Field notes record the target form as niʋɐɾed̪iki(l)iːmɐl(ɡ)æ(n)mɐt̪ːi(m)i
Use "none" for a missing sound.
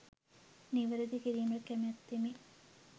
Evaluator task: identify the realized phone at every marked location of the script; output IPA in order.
ɾ, k, none, m

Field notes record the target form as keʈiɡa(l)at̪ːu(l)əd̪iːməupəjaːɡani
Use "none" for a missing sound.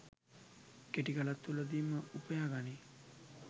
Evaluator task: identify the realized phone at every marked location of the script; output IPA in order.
l, l

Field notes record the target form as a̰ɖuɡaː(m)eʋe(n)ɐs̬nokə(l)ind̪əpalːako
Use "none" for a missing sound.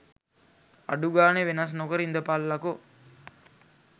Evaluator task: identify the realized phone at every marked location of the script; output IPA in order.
n, n, ɾ

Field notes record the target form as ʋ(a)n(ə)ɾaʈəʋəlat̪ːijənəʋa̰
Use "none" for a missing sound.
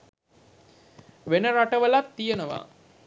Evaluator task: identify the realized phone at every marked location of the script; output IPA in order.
e, ə

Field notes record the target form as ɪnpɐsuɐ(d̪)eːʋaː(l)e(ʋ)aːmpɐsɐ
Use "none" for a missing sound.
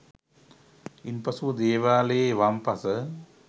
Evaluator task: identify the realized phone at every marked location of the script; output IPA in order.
d̪, l, ʋ

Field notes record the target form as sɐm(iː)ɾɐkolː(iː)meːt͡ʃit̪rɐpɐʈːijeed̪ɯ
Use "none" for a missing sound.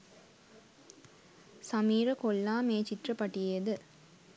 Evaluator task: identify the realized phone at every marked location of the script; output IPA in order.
iː, aː

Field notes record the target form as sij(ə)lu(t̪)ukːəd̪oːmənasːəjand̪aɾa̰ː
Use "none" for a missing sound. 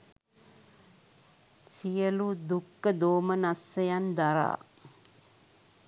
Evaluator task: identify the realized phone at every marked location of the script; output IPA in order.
ə, d̪

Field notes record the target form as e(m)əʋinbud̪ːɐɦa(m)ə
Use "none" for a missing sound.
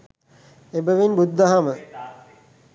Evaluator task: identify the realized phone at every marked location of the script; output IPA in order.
b, m

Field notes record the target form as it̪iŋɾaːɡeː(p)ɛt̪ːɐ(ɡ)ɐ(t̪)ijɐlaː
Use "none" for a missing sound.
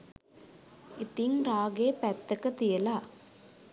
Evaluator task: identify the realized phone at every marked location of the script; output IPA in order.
p, k, t̪

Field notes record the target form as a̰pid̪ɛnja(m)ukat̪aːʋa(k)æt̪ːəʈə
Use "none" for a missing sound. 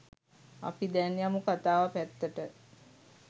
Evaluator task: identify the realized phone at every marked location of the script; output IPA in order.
m, p

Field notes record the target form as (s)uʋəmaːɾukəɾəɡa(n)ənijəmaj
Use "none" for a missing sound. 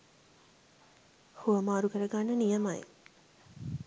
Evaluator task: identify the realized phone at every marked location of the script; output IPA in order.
h, nː

